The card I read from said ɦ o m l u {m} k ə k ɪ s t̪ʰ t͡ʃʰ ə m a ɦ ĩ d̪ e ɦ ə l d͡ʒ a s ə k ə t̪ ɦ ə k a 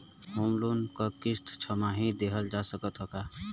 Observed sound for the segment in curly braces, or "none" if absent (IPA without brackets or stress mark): n